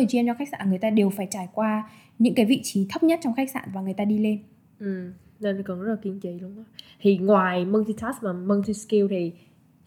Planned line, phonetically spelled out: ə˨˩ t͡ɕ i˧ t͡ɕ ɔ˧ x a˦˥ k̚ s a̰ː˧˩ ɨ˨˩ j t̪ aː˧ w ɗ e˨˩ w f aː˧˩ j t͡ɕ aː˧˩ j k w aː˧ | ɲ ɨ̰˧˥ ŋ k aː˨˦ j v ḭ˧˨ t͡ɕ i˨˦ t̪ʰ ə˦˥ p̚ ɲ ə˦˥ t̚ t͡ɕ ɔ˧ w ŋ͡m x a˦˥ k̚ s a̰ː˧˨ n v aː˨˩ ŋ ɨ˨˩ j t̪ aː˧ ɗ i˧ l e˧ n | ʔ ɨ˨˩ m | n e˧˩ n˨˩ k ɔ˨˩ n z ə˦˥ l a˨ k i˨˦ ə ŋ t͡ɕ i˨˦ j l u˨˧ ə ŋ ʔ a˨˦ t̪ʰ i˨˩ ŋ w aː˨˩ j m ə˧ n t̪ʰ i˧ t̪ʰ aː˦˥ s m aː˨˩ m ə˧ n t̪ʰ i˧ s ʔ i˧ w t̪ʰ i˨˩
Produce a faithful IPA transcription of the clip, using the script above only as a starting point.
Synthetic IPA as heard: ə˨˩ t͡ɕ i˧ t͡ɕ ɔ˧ x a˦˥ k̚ s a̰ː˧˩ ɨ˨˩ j t̪ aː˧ ɗ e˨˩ w f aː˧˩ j t͡ɕ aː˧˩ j k w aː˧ | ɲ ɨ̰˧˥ ŋ k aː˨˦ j v ḭ˧˨ t͡ɕ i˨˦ t̪ʰ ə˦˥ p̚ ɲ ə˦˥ t̚ t͡ɕ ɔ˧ w ŋ͡m x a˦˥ k̚ s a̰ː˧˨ n v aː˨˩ ŋ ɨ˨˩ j t̪ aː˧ ɗ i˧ l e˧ n | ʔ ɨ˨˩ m | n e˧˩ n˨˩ k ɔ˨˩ n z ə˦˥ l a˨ k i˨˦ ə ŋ t͡ɕ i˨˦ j l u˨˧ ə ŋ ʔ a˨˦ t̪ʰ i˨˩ ŋ w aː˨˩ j m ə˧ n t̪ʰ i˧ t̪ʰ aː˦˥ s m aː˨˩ m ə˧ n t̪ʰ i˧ s k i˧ w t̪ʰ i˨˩